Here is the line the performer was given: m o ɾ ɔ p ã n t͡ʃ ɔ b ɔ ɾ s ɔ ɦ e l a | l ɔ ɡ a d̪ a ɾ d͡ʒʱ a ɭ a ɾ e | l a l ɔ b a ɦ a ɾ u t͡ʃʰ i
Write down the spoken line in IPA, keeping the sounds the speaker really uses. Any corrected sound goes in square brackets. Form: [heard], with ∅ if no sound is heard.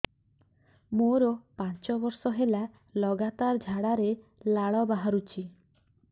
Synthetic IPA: m o ɾ ɔ p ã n t͡ʃ ɔ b ɔ ɾ s ɔ ɦ e l a | l ɔ ɡ a [t̪] a ɾ d͡ʒʱ a [ɽ] a ɾ e | l a [ɭ] ɔ b a ɦ a ɾ u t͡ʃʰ i